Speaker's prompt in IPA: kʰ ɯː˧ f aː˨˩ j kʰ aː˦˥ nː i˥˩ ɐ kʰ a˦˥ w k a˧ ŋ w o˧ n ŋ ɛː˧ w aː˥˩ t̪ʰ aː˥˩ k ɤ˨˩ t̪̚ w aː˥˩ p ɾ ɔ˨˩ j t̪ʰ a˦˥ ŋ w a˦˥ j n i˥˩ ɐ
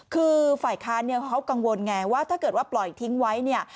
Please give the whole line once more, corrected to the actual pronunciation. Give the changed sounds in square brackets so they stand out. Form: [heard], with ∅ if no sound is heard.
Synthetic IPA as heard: kʰ ɯː˧ f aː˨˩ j kʰ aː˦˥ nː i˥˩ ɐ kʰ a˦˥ w k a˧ ŋ w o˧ n ŋ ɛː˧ w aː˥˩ t̪ʰ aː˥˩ k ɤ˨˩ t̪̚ w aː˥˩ p [l] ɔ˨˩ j t̪ʰ [i˦˥] ŋ w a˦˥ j n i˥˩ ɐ